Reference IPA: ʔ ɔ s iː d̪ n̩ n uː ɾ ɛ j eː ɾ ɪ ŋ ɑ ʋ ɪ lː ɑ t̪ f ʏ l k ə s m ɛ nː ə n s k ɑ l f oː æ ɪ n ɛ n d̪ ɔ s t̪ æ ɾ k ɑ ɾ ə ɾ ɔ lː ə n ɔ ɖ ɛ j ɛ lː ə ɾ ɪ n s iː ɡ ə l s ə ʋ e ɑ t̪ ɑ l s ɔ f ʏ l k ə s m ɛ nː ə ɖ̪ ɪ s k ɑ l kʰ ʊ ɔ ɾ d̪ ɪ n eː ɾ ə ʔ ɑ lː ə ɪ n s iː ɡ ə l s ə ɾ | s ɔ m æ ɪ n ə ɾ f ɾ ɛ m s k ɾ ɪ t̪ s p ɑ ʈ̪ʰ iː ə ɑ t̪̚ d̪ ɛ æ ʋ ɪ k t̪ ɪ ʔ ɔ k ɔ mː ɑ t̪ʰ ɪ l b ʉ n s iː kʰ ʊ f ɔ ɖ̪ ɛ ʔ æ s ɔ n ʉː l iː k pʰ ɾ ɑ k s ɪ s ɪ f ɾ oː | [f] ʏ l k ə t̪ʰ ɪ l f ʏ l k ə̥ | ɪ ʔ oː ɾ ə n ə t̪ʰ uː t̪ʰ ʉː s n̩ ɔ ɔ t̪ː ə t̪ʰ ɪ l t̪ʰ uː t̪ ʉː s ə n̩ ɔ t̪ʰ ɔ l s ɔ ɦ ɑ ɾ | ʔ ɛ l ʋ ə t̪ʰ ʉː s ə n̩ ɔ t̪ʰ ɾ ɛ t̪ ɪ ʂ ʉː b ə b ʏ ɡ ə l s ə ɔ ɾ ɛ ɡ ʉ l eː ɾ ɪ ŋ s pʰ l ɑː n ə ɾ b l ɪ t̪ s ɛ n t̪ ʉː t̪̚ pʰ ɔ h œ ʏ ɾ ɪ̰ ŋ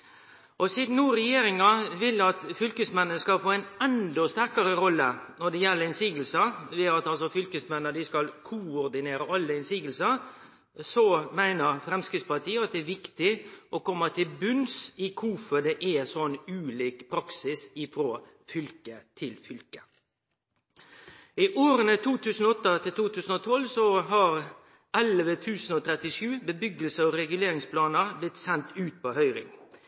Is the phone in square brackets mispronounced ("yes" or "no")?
no